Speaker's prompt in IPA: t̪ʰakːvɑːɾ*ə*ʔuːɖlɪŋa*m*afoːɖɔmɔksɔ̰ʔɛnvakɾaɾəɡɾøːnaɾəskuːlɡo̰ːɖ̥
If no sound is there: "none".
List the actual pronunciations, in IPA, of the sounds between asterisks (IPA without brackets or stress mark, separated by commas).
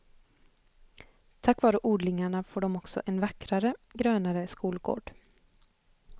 ə, ɳ